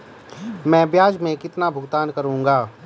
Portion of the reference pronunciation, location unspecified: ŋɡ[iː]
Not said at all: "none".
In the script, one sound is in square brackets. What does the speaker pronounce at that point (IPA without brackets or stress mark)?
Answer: aː